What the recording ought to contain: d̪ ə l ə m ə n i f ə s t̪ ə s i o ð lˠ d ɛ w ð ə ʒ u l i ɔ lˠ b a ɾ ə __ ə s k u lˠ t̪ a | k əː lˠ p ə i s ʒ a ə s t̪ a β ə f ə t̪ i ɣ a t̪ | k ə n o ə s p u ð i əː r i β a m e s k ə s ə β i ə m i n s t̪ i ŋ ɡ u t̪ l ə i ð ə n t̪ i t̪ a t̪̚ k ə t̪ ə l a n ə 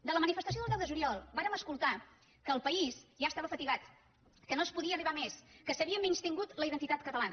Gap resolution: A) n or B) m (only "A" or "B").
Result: B